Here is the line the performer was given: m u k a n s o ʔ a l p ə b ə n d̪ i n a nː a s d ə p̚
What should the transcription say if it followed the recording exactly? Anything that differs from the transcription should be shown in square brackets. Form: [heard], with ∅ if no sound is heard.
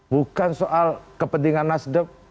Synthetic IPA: [b] u k a n s o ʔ a l [k] ə [p] ə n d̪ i [ŋ] a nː a s d ə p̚